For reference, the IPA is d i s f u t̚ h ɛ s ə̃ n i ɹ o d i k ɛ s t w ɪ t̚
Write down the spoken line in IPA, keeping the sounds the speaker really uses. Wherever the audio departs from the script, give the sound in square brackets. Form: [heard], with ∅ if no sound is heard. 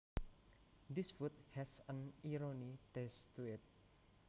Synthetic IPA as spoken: d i s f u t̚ h ɛ s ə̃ n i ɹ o [n] i [t] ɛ s t [u] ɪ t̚